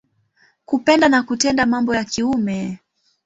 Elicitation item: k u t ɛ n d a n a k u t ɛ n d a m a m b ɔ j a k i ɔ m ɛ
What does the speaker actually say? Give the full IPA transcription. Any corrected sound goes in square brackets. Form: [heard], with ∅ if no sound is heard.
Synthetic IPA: k u [p] ɛ n d a n a k u t ɛ n d a m a m b ɔ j a k i [u] m ɛ